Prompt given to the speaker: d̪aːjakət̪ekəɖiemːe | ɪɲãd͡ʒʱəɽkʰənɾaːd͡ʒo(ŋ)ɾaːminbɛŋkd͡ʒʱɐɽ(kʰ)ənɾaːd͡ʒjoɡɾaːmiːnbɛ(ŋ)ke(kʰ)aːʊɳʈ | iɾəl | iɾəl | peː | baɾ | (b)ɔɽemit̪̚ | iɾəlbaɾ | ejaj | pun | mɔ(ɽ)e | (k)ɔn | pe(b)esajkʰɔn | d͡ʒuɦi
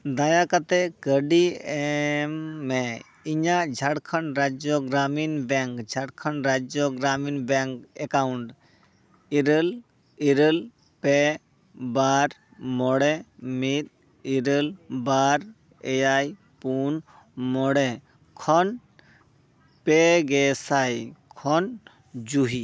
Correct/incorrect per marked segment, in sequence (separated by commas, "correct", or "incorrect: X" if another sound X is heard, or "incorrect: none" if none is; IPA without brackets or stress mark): incorrect: ɡ, correct, correct, incorrect: k, incorrect: m, correct, incorrect: kʰ, incorrect: ɡ